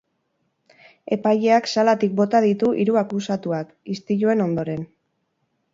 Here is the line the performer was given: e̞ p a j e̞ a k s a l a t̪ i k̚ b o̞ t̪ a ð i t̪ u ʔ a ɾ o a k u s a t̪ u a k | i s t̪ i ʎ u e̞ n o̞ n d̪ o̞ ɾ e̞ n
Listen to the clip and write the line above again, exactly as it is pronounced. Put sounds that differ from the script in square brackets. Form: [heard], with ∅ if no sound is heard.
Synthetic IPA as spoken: e̞ p a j e̞ a k s a l a t̪ i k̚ b o̞ t̪ a ð i t̪ u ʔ [i] ɾ [u] a k u s a t̪ u a k | i s t̪ i ʎ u e̞ n o̞ n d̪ o̞ ɾ e̞ n